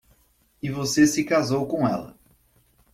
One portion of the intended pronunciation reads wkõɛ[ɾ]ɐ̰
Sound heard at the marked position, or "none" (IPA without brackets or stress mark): l